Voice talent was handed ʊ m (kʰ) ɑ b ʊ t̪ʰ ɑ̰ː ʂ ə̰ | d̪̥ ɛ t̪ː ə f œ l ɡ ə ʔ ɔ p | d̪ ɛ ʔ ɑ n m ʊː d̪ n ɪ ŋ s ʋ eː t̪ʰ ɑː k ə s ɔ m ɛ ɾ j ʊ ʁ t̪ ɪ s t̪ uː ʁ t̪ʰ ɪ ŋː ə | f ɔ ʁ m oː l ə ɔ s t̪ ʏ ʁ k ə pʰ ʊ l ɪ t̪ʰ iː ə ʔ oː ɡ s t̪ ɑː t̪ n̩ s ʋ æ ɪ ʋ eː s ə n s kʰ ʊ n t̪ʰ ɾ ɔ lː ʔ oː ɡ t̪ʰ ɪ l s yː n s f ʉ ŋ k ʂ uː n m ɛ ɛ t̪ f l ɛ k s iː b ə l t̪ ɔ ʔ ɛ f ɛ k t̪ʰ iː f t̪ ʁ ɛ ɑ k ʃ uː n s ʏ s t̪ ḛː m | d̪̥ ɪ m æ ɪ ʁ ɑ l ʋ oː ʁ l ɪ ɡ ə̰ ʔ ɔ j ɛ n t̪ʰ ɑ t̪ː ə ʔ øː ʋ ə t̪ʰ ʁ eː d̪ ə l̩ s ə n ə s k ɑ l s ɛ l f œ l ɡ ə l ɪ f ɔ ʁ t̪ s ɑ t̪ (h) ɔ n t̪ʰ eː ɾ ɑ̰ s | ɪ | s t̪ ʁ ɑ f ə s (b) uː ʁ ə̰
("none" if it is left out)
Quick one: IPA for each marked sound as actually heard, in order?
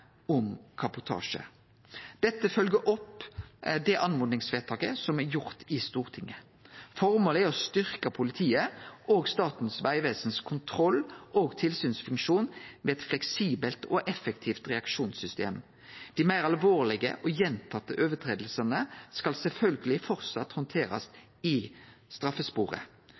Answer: kʰ, h, p

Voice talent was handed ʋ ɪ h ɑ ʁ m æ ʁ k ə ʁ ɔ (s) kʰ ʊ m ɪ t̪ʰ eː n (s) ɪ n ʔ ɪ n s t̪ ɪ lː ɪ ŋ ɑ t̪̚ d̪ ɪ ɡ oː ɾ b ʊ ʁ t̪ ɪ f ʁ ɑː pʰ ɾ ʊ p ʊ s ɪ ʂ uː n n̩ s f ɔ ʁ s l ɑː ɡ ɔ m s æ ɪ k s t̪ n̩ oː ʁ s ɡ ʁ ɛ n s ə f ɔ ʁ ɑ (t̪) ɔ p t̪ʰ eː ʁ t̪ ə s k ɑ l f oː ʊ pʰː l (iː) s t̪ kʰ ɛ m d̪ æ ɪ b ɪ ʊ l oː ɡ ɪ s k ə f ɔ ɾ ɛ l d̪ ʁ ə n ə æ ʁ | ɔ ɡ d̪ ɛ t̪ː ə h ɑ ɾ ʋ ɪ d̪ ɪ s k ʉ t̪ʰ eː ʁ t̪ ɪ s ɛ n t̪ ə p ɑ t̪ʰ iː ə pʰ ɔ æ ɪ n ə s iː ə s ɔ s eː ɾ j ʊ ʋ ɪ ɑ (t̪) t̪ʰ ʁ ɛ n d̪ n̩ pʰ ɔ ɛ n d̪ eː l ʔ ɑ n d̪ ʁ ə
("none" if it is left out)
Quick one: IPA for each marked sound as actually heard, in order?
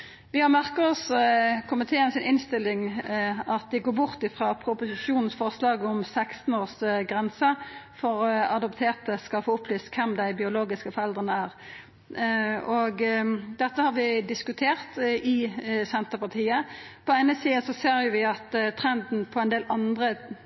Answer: s, s, d̪, yː, t̪

